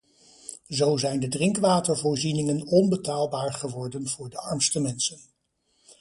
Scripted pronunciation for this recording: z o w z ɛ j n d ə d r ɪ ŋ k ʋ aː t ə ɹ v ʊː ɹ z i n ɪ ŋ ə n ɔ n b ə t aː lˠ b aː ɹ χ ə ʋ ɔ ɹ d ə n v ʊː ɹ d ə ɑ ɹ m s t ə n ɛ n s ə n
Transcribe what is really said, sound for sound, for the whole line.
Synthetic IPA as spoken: z o w z ɛ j n d ə d r ɪ ŋ k ʋ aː t ə ɹ v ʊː ɹ z i n ɪ ŋ ə n ɔ n b ə t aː lˠ b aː ɹ χ ə ʋ ɔ ɹ d ə n v ʊː ɹ d ə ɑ ɹ m s t ə m ɛ n s ə n